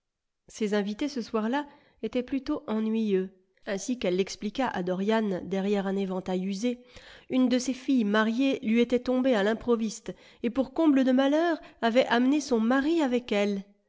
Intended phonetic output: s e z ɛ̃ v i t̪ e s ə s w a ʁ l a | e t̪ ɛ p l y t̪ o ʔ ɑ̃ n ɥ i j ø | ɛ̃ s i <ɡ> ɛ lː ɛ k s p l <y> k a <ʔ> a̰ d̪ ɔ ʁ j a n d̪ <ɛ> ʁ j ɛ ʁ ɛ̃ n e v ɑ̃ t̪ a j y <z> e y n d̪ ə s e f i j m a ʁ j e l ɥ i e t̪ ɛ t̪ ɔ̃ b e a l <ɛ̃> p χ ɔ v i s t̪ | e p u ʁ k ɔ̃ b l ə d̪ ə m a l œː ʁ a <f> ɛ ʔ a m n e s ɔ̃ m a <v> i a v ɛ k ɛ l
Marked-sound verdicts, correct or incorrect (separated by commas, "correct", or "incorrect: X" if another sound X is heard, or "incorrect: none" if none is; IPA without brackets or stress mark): incorrect: k, incorrect: i, correct, correct, correct, correct, incorrect: v, incorrect: ʁ